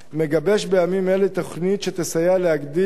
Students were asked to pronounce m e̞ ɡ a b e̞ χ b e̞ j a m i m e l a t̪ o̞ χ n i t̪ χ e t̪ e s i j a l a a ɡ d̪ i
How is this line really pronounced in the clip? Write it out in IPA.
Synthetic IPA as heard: m e̞ ɡ a b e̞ ʃ b e̞ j a m i m e l e t̪ o̞ χ n i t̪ ʃ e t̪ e s a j a l e a ɡ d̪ i